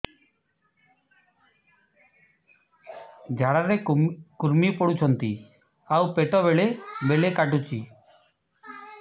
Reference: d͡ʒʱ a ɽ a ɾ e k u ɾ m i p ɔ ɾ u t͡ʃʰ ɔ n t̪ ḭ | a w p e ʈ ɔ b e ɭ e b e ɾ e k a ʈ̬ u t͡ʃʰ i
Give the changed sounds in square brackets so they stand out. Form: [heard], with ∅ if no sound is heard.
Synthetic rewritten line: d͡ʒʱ a ɽ a ɾ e k u ɾ m i p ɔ [ɽ] u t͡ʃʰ ɔ n t̪ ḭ | a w p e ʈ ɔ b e ɭ e b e [ɭ] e k a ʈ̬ u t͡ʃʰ i

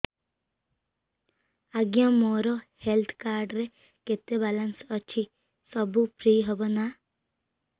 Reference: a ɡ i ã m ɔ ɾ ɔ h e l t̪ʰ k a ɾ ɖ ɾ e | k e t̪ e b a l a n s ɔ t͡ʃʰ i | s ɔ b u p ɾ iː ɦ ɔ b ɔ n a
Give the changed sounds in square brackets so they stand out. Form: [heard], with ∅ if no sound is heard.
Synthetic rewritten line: a ɡ [j] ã m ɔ ɾ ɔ h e l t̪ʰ k a ɾ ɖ ɾ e | k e t̪ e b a l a n s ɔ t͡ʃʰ i | s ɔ b u p ɾ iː ɦ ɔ b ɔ n a

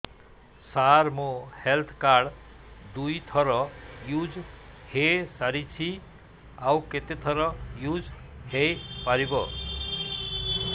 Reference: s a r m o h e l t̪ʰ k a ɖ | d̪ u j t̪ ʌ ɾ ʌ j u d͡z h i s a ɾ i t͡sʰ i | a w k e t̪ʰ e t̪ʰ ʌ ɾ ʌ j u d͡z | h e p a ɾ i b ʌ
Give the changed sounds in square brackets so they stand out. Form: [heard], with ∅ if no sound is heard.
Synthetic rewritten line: s a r m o h e l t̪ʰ k a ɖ | d̪ u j [t̪ʰ] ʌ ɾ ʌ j u d͡z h [e] s a ɾ i t͡sʰ i | a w k e [t̪] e t̪ʰ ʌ ɾ ʌ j u d͡z | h e p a ɾ i b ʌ

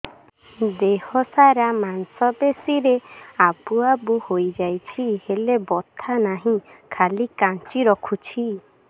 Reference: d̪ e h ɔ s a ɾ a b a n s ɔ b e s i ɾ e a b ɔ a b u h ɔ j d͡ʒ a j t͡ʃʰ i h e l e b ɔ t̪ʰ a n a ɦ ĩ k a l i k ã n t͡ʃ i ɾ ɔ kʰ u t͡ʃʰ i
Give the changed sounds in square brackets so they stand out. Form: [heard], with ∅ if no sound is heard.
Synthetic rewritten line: d̪ e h ɔ s a ɾ a [m] a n s ɔ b e s i ɾ e a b [u] a b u h [o] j d͡ʒ a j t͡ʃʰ i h e l e b ɔ t̪ʰ a n a ɦ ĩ [kʰ] a l i k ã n t͡ʃ i ɾ ɔ kʰ u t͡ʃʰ i

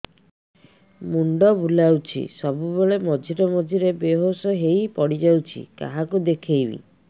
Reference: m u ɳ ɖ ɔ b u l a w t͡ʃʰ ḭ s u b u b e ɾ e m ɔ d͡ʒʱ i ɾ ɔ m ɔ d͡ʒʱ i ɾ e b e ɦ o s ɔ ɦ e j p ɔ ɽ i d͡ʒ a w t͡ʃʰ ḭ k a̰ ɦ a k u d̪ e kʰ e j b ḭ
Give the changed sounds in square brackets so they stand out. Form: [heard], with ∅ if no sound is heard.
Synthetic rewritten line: m u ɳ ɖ ɔ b u l a w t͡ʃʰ ḭ s [ɔ] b u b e [ɭ] e m ɔ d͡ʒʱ i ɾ ɔ m ɔ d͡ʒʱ i ɾ e b e ɦ o s ɔ ɦ e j p ɔ ɽ i d͡ʒ a w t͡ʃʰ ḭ k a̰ ɦ a k u d̪ e kʰ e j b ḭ

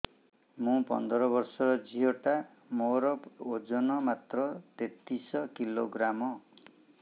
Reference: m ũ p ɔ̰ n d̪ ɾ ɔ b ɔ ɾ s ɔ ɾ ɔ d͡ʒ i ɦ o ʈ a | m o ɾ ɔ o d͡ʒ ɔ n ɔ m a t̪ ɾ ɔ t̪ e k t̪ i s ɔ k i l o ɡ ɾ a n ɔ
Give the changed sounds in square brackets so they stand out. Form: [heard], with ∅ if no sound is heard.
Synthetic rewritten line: m ũ p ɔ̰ n d̪ ɾ ɔ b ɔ ɾ s ɔ ɾ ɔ d͡ʒ i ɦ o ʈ a | m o ɾ ɔ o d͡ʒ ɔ n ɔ m a t̪ ɾ ɔ t̪ e [∅] t̪ i s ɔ k i l o ɡ ɾ a [m] ɔ

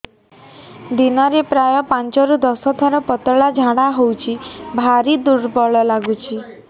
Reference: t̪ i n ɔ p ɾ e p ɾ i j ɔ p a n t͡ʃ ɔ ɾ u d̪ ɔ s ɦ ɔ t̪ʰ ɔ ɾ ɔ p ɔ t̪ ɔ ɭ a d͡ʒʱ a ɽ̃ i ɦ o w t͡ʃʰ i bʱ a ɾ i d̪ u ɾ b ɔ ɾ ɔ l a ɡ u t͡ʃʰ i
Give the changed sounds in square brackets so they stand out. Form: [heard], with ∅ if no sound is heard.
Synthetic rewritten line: [d̪] i n ɔ [∅] ɾ e p ɾ [a] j ɔ p a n t͡ʃ ɔ ɾ u d̪ ɔ s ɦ ɔ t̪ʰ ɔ ɾ ɔ p ɔ t̪ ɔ ɭ a d͡ʒʱ a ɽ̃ [a] ɦ o w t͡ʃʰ i bʱ a ɾ i d̪ u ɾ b ɔ [ɭ] ɔ l a ɡ u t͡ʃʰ i

